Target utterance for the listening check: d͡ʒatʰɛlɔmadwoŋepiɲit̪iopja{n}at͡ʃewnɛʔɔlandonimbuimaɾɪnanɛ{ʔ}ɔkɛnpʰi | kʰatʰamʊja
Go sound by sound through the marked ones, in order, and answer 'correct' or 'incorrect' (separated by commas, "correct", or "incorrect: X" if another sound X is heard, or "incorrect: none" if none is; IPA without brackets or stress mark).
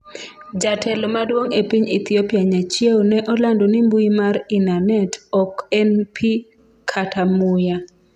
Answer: incorrect: ɲ, incorrect: t